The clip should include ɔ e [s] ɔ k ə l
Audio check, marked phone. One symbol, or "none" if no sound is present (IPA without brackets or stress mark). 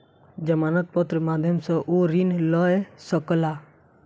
s